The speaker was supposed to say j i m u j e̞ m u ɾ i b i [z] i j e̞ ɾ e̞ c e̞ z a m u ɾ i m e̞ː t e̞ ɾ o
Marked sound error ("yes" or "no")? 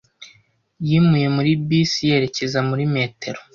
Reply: yes